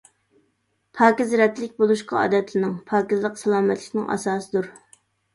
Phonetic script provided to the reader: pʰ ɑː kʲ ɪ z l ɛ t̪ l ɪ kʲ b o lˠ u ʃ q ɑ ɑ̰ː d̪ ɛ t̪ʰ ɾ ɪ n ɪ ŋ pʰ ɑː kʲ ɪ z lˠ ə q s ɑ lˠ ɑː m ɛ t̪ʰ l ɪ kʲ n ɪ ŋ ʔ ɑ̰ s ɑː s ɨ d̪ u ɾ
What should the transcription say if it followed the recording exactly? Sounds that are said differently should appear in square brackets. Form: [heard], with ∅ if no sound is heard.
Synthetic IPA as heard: pʰ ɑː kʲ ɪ z [ɾ] ɛ t̪ l ɪ kʲ b o lˠ u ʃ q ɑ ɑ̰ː d̪ ɛ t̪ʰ [l] ɪ n ɪ ŋ pʰ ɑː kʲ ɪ z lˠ ə q s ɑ lˠ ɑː m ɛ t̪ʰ l ɪ kʲ n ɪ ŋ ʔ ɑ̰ s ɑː s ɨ d̪ u ɾ